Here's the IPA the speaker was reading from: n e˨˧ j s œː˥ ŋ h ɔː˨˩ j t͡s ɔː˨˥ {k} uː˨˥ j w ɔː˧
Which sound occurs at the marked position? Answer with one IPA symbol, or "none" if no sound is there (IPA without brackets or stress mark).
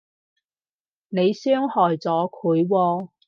kʰ